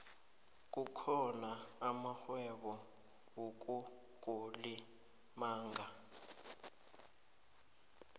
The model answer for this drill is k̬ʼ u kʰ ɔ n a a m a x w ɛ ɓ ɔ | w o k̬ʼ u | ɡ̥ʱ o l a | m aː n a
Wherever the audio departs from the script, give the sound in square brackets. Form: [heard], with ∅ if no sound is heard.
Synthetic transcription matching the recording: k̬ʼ u kʰ ɔ n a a m a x w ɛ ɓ ɔ | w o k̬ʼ u | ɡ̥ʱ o l [i] | m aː [ŋ] a